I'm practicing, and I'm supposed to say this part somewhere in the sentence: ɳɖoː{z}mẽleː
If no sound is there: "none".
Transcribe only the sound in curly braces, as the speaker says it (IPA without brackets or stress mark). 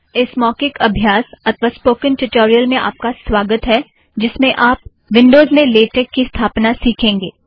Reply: z